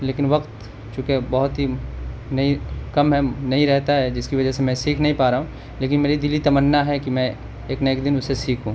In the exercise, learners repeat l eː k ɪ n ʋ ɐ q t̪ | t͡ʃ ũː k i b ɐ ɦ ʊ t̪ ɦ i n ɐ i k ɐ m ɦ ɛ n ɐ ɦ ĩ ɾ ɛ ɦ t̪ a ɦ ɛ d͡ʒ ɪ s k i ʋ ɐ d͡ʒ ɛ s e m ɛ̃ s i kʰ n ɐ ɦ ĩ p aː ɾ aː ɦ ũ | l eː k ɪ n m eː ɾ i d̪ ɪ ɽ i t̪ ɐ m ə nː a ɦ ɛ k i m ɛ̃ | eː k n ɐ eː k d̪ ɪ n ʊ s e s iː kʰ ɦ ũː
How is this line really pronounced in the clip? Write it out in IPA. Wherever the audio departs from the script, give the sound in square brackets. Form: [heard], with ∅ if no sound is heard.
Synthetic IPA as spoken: l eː k ɪ n ʋ ɐ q t̪ | t͡ʃ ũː k [e] b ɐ ɦ ʊ t̪ ɦ i n ɐ i k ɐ m ɦ ɛ n ɐ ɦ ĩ ɾ ɛ ɦ t̪ a ɦ ɛ d͡ʒ ɪ s k i ʋ ɐ d͡ʒ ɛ s e m ɛ̃ s [iː] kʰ n ɐ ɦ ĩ p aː ɾ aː ɦ ũ | l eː k ɪ n m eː ɾ i d̪ ɪ [l] i t̪ ɐ m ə nː a ɦ ɛ k i m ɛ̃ | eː k n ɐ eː k d̪ ɪ n ʊ s e s iː kʰ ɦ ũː